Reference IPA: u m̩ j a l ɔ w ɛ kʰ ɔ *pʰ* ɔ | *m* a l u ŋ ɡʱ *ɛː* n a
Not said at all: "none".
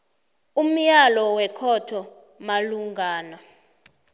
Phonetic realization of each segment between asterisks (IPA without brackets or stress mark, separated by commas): tʰ, m, aː